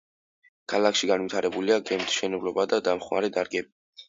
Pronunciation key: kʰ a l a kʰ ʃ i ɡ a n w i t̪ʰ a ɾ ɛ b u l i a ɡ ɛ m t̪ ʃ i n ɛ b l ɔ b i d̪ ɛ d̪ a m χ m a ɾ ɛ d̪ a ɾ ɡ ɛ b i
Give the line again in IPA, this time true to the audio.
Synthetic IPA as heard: kʰ a l a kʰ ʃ i ɡ a n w i t̪ʰ a ɾ ɛ b u l i a ɡ ɛ m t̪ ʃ ɛ n ɛ b l ɔ b a d̪ a d̪ a m χ m a ɾ ɛ d̪ a ɾ ɡ ɛ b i